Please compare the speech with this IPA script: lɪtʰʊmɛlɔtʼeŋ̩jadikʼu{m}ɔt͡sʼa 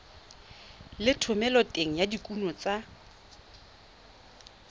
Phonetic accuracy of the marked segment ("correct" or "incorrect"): incorrect